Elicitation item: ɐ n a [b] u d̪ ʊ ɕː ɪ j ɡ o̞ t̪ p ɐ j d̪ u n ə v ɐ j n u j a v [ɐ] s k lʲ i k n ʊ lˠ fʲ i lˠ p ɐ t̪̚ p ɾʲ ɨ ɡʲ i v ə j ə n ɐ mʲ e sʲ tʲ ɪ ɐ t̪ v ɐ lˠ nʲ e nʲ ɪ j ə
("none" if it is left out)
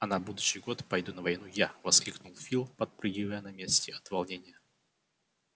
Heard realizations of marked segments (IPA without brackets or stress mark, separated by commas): b, ɐ